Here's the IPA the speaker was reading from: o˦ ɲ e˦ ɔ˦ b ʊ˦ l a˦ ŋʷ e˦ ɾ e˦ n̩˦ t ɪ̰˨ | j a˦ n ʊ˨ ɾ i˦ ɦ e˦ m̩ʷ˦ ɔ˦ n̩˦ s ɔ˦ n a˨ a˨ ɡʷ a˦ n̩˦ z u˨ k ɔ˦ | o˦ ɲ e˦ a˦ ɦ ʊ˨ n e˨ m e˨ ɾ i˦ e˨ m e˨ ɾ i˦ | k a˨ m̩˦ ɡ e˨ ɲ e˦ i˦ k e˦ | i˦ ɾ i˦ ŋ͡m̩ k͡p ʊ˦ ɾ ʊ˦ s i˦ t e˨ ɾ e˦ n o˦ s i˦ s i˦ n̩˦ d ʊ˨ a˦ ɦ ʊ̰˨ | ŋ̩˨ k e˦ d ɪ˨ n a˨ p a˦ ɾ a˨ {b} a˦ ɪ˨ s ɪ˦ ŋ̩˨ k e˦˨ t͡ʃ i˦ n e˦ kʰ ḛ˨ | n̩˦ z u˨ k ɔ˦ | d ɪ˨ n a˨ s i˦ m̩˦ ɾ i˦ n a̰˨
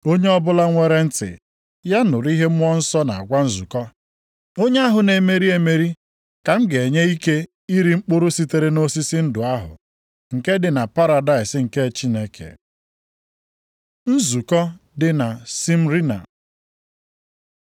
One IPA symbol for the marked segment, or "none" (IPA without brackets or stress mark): d